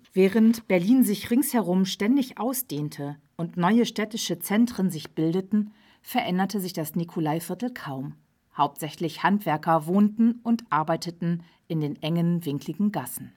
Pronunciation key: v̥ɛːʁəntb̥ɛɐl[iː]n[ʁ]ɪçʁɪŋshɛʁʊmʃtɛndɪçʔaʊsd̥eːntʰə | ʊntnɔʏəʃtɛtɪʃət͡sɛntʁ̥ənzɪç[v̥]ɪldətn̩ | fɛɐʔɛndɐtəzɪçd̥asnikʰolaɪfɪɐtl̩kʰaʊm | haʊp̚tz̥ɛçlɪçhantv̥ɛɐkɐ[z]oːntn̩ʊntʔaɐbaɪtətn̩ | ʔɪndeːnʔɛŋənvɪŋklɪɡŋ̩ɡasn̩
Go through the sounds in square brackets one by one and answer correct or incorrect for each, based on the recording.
correct, incorrect, incorrect, incorrect

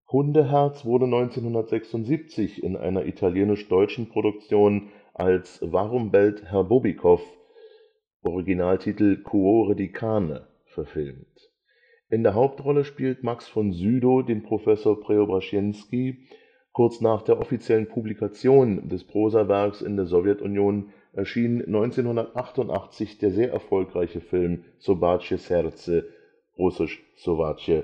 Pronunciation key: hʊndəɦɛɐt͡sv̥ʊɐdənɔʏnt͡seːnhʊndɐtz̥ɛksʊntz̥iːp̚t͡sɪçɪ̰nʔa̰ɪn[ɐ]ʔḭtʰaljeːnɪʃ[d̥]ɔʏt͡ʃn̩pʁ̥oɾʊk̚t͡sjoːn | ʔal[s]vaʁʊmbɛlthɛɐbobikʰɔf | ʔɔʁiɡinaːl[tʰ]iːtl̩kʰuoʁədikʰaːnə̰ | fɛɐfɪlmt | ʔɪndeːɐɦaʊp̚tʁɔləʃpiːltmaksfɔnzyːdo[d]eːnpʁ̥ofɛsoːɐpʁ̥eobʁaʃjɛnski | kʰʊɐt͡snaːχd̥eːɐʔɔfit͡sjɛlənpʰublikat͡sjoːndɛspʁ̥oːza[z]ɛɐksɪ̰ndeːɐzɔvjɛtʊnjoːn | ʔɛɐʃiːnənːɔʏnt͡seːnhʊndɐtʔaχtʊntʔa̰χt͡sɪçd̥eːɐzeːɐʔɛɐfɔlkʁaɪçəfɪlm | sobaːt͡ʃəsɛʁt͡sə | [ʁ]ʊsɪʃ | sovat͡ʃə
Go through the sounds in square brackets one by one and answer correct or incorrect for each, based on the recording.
correct, correct, correct, correct, correct, incorrect, correct

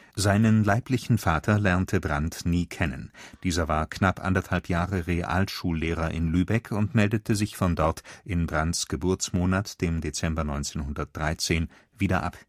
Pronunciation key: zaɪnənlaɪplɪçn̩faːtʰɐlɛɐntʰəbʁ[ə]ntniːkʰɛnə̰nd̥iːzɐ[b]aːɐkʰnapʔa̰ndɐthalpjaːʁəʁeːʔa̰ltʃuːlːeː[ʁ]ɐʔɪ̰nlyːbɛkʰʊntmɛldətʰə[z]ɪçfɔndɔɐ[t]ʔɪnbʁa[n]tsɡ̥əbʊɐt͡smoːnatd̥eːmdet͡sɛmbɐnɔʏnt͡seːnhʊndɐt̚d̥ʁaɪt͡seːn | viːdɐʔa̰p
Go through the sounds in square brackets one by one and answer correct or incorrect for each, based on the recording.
incorrect, incorrect, correct, correct, correct, correct

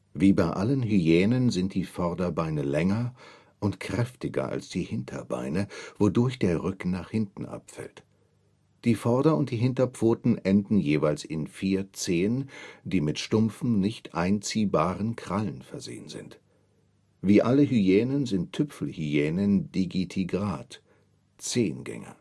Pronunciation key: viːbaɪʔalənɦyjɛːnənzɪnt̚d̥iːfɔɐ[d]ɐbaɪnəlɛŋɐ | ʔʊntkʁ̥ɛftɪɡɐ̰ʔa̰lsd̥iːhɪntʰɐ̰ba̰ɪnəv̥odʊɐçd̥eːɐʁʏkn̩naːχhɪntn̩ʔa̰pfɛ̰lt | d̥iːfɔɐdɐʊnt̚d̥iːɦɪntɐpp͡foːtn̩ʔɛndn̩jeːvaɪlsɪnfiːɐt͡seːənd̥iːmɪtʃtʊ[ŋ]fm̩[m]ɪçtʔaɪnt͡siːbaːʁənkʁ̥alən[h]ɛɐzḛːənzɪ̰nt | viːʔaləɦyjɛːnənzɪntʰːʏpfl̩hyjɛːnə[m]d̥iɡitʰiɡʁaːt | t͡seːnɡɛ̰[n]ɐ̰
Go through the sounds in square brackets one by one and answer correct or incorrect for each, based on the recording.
correct, incorrect, incorrect, incorrect, incorrect, incorrect

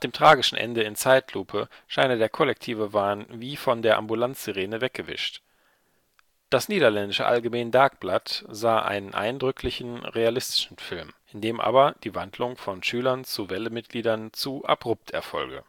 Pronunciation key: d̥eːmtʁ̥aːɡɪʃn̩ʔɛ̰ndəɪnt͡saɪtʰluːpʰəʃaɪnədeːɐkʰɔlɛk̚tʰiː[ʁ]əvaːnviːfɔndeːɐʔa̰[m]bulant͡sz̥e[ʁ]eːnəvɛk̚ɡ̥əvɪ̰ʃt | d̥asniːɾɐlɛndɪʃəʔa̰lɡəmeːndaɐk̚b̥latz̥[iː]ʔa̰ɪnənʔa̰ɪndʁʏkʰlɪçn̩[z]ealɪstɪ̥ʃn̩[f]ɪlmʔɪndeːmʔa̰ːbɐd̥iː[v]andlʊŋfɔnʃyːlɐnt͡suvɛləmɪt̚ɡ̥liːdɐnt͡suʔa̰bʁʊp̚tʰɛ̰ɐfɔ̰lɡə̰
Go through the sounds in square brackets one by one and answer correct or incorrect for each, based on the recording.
incorrect, correct, correct, incorrect, incorrect, correct, correct

